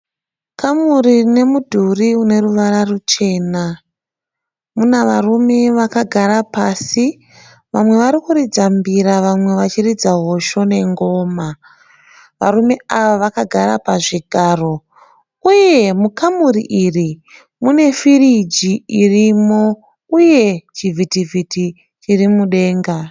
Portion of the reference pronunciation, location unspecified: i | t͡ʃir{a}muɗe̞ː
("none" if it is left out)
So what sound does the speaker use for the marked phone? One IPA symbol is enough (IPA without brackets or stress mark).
i